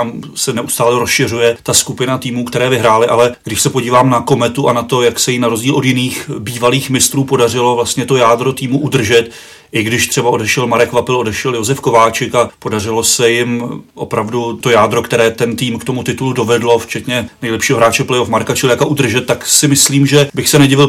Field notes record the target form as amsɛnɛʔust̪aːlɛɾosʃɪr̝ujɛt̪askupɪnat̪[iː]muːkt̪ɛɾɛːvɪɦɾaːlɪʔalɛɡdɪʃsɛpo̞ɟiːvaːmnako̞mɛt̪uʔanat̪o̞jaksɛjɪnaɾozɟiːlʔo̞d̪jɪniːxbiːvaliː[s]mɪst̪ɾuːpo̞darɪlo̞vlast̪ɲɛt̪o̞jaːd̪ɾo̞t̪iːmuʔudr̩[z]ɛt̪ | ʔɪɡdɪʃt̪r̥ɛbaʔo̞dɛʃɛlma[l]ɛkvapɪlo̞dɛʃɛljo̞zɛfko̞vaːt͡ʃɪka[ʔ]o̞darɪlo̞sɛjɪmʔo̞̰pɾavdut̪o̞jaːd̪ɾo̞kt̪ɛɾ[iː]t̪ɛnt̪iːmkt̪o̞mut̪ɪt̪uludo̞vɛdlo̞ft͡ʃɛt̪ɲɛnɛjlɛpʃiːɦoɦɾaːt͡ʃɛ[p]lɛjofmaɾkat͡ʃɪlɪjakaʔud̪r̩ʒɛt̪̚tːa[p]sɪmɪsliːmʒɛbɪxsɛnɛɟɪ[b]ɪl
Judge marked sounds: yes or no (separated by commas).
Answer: yes, no, no, no, no, no, yes, no, no